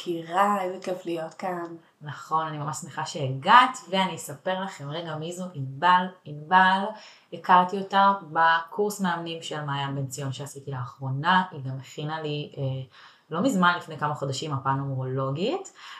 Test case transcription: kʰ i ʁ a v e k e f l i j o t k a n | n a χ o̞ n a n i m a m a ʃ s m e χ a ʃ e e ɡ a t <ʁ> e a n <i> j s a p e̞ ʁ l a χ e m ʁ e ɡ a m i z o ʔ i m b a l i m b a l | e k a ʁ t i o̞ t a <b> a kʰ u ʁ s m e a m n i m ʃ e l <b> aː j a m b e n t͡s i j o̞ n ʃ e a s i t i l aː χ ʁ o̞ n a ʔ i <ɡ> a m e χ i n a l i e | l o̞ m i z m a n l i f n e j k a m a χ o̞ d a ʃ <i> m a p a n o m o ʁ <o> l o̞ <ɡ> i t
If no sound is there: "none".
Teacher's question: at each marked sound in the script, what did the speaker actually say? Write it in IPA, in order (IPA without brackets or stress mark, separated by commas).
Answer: v, i, b, m, ɡ, i, o, ɡ